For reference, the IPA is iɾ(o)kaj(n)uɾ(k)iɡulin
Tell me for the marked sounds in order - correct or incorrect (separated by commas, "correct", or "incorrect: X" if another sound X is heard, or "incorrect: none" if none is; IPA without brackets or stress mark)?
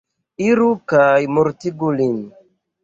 incorrect: u, incorrect: m, incorrect: t